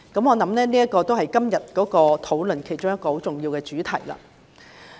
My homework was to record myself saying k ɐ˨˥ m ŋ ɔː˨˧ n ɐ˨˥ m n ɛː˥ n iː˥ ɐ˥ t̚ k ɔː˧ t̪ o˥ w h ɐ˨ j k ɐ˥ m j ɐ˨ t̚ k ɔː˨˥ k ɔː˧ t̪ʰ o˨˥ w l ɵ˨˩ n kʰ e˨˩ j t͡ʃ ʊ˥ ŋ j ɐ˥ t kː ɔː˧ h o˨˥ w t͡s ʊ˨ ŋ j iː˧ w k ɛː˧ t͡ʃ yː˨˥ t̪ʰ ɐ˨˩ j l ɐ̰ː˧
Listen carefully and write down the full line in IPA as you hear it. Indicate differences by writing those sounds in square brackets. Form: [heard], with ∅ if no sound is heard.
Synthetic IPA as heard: k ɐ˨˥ m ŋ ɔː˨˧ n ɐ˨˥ m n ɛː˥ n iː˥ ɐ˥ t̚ k ɔː˧ t̪ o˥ w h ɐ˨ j k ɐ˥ m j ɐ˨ t̚ k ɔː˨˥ k ɔː˧ t̪ʰ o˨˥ w l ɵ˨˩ n kʰ e˨˩ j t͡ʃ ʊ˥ ŋ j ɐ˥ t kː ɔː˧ h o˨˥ w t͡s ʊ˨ ŋ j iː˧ w k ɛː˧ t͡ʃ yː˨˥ t̪ʰ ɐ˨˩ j l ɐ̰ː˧

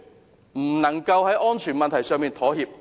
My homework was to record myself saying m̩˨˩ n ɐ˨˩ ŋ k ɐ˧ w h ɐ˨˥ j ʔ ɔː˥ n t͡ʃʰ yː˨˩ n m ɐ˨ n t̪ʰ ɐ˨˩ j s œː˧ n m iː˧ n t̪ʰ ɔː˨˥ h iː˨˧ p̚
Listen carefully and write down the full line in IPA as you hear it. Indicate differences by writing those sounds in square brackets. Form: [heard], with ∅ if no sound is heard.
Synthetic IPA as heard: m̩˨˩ n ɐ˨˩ ŋ k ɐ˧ w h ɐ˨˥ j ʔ ɔː˥ n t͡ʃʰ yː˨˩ n m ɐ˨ n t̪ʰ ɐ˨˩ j s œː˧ [ŋ] m iː˧ n t̪ʰ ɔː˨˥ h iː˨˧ p̚

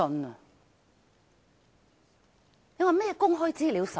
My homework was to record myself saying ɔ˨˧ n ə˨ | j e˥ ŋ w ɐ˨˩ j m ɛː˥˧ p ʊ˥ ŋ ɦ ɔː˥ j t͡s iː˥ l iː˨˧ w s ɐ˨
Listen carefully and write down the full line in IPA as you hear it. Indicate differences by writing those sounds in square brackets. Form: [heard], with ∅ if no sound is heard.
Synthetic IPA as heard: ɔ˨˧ n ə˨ | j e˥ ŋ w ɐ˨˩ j m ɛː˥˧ [k] ʊ˥ ŋ ɦ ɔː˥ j t͡s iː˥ l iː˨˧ w s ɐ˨

